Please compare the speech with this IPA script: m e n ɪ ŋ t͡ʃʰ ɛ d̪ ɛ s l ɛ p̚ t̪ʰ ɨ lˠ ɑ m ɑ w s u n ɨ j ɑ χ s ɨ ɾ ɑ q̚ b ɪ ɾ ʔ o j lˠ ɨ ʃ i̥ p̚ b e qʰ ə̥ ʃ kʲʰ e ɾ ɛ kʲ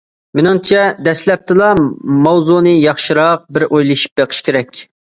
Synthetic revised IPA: m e n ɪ ŋ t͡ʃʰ ɛ d̪ ɛ s l ɛ p̚ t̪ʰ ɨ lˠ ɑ m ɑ w z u n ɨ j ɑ χ ʃ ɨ ɾ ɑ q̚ b ɪ ɾ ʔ o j lˠ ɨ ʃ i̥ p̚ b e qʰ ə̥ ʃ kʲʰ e ɾ ɛ kʲ